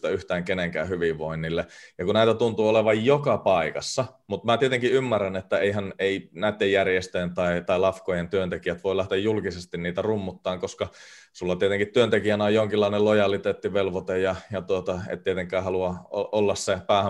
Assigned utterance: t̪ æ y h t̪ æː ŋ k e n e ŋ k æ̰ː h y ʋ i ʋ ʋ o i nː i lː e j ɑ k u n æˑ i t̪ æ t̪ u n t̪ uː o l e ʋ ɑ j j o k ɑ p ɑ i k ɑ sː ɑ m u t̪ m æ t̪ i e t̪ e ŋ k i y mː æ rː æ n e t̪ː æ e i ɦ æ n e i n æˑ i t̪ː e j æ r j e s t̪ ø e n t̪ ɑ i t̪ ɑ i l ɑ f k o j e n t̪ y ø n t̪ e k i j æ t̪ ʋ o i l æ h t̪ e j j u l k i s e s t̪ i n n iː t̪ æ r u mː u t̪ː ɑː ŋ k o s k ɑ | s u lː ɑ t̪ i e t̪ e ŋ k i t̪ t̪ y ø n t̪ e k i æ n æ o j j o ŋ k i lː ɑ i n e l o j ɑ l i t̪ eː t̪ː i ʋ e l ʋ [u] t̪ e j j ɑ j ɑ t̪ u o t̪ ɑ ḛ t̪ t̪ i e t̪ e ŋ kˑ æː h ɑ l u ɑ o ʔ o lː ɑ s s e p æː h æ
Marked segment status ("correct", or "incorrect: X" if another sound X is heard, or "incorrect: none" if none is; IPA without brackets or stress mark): incorrect: o